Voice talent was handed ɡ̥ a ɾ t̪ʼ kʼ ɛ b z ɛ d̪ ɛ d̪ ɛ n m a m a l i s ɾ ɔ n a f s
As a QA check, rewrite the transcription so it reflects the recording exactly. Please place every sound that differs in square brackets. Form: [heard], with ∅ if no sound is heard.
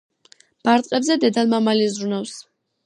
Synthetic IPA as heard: [b̥] a ɾ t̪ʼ [qʼ] ɛ b z ɛ d̪ ɛ d̪ [a] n m a m a l i [z] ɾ [u] n a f s